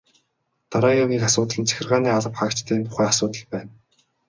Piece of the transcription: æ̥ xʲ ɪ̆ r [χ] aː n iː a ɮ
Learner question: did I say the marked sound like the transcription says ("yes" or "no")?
no